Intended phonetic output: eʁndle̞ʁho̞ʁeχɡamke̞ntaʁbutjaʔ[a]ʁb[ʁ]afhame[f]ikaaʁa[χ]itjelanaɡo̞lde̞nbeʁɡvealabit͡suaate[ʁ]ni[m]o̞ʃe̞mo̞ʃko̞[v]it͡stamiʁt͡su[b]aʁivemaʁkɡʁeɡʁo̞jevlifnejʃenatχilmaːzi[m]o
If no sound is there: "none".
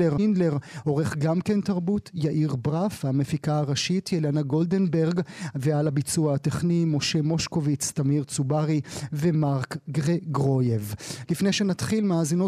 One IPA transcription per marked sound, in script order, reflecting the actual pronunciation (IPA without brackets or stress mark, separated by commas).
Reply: i, ʁ, f, ʃ, χ, m, v, b, n